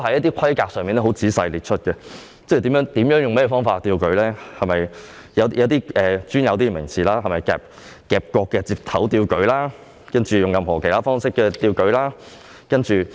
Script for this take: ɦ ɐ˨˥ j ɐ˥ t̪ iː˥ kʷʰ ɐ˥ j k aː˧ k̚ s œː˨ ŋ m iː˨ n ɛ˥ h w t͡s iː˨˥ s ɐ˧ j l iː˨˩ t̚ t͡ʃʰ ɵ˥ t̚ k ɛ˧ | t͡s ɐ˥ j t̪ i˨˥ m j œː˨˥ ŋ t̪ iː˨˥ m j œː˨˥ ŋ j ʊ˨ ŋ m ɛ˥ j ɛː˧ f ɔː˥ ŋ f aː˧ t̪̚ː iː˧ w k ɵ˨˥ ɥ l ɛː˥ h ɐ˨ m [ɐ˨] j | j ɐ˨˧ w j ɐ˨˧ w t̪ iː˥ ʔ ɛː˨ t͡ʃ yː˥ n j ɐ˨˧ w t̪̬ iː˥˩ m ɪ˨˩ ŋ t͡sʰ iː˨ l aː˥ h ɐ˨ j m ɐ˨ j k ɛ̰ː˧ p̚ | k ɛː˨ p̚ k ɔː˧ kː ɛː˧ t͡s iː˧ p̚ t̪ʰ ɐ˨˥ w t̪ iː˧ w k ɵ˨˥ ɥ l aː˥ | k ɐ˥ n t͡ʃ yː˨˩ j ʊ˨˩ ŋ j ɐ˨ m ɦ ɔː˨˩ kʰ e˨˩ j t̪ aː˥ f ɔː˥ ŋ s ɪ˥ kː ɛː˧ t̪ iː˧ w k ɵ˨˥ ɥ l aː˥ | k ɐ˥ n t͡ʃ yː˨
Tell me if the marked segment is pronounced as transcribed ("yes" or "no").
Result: yes